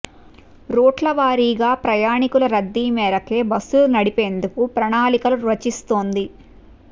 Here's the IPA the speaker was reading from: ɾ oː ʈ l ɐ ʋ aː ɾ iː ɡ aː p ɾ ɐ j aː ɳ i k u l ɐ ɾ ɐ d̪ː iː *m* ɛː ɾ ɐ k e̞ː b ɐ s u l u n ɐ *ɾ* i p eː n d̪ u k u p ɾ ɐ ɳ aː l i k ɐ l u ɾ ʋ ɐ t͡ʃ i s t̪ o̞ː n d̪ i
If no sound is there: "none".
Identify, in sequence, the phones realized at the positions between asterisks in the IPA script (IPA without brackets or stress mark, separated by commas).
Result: m, ɽ